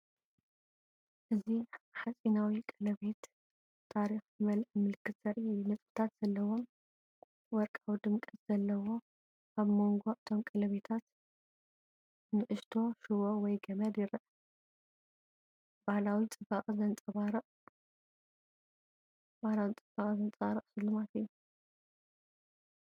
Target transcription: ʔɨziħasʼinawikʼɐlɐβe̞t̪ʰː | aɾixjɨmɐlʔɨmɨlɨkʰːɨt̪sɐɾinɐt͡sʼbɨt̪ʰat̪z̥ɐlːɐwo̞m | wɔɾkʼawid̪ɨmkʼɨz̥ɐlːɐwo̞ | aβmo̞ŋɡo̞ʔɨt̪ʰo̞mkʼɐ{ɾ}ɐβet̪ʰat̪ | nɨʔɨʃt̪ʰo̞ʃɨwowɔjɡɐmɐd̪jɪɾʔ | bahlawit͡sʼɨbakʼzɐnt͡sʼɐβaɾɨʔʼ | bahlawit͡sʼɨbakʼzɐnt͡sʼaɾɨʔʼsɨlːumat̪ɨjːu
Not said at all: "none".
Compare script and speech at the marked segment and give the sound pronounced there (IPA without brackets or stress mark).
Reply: l